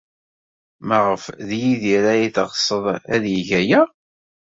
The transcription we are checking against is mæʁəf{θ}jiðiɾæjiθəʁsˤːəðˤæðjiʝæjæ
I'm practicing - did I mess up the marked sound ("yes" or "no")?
yes